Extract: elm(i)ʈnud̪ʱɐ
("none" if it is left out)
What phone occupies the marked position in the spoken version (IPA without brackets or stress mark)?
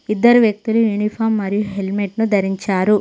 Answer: e